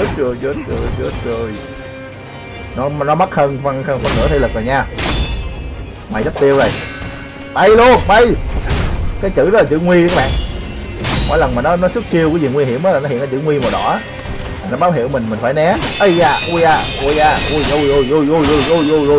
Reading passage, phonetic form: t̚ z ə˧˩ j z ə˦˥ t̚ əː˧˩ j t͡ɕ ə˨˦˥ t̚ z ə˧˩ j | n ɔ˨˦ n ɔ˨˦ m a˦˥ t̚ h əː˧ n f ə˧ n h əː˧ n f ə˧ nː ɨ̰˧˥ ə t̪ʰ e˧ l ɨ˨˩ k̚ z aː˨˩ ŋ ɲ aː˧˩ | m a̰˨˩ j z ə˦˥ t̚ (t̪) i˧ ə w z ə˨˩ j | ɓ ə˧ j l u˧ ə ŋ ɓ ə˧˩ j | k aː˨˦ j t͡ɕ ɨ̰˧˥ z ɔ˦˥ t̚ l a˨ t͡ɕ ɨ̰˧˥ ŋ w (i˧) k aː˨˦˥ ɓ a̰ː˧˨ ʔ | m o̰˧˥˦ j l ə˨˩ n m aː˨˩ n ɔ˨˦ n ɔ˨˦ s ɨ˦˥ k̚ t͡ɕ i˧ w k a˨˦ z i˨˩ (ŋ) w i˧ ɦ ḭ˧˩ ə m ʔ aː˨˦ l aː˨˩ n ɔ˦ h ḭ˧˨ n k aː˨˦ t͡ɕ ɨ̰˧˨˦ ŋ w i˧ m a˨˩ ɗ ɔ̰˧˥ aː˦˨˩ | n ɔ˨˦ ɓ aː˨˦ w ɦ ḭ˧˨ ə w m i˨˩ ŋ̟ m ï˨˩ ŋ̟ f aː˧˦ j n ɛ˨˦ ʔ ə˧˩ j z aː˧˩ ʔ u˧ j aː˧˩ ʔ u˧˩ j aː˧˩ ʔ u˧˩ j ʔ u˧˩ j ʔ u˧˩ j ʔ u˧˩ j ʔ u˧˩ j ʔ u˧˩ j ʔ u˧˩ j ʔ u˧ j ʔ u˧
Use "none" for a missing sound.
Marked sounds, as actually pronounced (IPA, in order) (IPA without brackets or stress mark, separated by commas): t̪, i˧, ŋ